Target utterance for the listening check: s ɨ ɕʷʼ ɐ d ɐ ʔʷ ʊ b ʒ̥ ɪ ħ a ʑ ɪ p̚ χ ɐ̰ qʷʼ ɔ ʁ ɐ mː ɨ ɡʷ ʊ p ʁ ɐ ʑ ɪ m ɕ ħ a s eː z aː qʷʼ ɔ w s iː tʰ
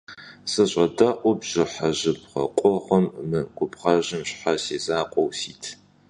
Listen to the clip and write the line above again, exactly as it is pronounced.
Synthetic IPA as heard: s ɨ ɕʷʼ ɐ d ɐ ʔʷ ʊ b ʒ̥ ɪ ħ a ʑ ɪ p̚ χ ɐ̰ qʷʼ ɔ ʁ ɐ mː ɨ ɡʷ ʊ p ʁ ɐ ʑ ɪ m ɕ ħ a s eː z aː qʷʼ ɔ w s iː tʰ